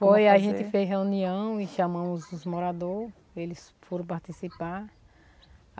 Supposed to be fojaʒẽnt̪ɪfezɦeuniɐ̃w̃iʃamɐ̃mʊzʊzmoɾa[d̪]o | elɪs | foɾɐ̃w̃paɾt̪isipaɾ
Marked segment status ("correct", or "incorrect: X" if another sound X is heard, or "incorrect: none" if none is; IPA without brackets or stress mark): correct